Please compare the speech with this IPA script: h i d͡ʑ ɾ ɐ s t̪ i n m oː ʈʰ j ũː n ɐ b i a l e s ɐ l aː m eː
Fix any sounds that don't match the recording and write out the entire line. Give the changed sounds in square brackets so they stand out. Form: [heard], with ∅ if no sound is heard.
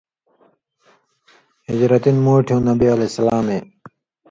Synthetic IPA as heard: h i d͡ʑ ɾ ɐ [∅] t̪ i n m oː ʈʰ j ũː n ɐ b i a l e s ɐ l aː m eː